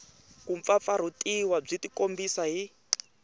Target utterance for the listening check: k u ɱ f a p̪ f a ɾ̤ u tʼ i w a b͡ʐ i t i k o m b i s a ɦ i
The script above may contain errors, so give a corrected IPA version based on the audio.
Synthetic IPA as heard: k u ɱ f a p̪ f a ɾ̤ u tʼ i w a b͡ʐ i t i k o m b i s a ɦ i